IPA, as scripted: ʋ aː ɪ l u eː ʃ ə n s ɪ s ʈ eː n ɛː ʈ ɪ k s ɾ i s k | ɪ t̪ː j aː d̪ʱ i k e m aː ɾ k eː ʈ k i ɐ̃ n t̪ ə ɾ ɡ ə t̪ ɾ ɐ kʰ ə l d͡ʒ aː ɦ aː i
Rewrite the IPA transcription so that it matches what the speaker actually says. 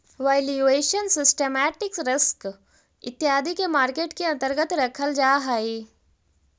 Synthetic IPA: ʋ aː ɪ l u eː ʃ ə n s ɪ s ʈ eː m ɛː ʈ ɪ k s ɾ ɪ s k | ɪ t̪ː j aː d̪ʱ i k e m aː ɾ k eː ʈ k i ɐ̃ n t̪ ə ɾ ɡ ə t̪ ɾ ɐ kʰ ə l d͡ʒ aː ɦ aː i